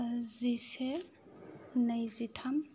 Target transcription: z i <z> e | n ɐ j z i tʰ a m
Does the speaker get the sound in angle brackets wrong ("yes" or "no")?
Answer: yes